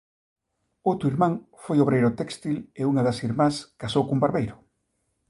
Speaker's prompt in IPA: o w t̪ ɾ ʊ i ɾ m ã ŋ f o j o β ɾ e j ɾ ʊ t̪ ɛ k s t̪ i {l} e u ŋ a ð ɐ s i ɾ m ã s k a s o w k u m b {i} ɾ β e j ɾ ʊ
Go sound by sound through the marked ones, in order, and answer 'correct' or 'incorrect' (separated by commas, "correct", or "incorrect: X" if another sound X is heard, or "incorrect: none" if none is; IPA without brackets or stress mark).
correct, incorrect: a